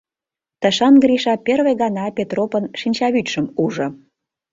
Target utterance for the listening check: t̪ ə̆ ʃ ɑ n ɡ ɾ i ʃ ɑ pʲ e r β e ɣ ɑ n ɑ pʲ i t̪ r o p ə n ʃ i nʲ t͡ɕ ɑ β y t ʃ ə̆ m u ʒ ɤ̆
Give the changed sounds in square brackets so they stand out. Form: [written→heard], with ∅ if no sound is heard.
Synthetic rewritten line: t̪ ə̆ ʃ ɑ n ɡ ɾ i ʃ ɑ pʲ e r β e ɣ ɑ n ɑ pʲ [i→e] t̪ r o p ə n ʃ i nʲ t͡ɕ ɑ β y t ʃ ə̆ m u ʒ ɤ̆